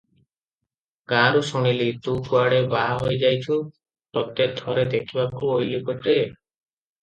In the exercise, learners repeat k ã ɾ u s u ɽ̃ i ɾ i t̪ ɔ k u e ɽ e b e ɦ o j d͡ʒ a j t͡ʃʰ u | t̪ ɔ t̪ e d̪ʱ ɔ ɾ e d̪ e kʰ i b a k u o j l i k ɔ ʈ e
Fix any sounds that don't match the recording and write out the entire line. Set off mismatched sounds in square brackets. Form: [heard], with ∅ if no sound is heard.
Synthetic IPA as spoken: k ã ɾ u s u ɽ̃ i [l] i t̪ [u] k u [a] ɽ e b [a] ɦ o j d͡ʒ a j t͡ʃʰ u | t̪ ɔ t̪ e d̪ʱ ɔ ɾ e d̪ e kʰ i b a k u o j l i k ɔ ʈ e